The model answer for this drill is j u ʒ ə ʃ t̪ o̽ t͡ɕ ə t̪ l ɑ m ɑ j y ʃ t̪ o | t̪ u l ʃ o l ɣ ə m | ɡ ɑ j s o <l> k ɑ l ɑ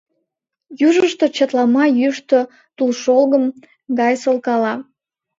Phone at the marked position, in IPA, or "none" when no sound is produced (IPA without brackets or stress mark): l